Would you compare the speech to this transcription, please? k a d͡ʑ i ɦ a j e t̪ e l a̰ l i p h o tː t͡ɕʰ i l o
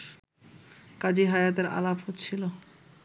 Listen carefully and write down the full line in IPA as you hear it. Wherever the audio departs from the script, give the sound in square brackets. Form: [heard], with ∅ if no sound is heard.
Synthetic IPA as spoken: k a d͡ʑ i ɦ a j [a] t̪ e [ɾ] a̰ l [a] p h o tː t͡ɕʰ i l o